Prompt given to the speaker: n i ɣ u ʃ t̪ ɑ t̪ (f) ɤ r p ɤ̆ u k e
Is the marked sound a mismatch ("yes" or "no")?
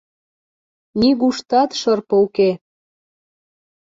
yes